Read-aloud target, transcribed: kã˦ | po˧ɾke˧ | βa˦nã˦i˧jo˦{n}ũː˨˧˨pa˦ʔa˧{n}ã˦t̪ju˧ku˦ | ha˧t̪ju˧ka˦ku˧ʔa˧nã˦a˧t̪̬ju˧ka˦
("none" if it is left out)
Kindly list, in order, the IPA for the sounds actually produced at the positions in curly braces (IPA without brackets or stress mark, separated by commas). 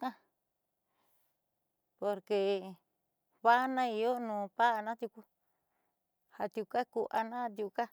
n, n